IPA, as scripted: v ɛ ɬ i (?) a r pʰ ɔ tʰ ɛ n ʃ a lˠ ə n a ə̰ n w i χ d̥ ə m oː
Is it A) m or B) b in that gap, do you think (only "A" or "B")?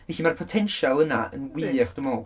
A